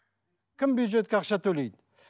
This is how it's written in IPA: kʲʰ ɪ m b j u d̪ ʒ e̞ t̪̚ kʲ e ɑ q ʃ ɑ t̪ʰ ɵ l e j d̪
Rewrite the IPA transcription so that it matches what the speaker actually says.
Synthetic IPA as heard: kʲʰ ɪ m b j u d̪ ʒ e̞ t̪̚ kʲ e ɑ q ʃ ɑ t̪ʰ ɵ l e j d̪

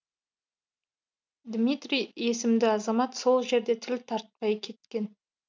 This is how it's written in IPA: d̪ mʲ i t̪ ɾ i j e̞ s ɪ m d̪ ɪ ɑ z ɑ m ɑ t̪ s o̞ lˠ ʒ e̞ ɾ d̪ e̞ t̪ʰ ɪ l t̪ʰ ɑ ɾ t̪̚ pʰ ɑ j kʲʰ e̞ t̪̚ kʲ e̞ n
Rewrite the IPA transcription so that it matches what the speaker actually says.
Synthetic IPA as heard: d̪ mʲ i t̪ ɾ i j e̞ s ɪ m d̪ ɪ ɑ z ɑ m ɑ t̪ s o̞ lˠ ʒ e̞ ɾ d̪ e̞ t̪ʰ ɪ l t̪ʰ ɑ ɾ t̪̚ p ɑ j kʲʰ e̞ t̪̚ kʲ e̞ n

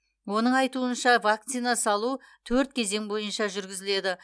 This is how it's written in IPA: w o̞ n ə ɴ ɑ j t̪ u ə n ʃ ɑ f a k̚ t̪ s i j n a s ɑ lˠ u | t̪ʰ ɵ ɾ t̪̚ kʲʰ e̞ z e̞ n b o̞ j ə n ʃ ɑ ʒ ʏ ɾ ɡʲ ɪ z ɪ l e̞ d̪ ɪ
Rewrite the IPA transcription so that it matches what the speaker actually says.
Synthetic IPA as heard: w o̞ n ə ɴ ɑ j t̪ u ə n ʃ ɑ v a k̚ t̪ s i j n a s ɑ lˠ u | t̪ʰ ɵ ɾ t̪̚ kʲʰ e̞ z e̞ ŋ b o̞ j ə n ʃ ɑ ʒ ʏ ɾ ɡʲ ɪ z ɪ l e̞ d̪ ɪ

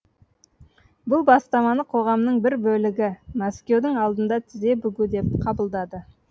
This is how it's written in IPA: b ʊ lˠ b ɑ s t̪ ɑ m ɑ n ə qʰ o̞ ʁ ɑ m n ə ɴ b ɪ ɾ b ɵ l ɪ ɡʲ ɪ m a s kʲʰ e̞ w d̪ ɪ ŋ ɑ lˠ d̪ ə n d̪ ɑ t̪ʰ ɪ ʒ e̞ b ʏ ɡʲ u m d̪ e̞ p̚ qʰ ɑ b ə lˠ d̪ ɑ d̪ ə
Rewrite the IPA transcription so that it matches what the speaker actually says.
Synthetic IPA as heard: b ʊ lˠ b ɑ s t̪ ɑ m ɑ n ə qʰ o̞ ʁ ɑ m n ə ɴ b ɪ ɾ b ɵ l ɪ ɡʲ ɪ m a s kʲ e̞ w d̪ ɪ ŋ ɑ lˠ d̪ ə n d̪ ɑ t̪ʰ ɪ z e̞ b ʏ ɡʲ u d̪ e̞ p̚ qʰ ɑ b ə lˠ d̪ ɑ d̪ ə

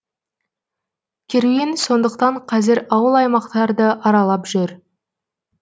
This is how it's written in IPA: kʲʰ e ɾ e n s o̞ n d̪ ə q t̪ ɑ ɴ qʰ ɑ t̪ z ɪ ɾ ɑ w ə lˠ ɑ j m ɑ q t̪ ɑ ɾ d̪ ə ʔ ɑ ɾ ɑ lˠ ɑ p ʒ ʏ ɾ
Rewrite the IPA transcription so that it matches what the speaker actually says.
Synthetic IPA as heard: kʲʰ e ɾ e n s o̞ n d̪ ə q t̪ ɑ ɴ qʰ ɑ z ɪ ɾ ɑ w ə lˠ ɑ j m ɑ q t̪ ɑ ɾ d̪ ə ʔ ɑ ɾ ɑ lˠ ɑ p ʒ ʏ ɾ

